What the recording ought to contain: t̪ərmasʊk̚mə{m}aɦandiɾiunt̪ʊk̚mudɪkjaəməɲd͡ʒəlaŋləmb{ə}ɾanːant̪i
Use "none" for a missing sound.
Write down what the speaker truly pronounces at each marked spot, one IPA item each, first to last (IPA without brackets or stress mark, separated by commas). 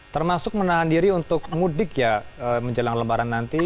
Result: n, a